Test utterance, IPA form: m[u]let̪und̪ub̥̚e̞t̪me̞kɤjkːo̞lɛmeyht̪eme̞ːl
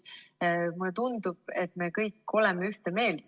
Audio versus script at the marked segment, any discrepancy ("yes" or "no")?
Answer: no